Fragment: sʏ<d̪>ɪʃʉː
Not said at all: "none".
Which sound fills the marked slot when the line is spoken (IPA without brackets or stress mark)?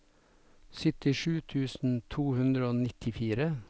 t̪